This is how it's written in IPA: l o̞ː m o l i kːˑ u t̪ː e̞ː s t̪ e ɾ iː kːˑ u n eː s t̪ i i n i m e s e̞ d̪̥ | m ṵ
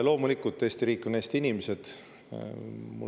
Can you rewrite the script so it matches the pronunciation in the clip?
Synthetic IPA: l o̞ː m u l i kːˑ u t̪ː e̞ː s t̪ i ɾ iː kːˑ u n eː s t̪ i i n i m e s e̞ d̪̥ | m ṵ